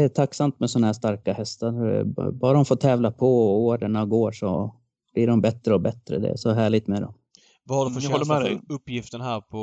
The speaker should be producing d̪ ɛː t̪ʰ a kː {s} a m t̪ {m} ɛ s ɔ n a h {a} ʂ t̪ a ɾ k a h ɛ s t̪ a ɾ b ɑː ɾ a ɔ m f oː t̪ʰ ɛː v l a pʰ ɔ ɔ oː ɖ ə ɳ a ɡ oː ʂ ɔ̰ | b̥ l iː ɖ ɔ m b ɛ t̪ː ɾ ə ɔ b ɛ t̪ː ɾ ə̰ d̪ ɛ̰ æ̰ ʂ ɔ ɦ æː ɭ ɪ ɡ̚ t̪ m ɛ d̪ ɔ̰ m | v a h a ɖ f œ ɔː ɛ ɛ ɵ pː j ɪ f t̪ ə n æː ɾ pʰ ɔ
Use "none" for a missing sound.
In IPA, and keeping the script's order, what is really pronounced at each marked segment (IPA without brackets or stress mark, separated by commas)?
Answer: s, m, æ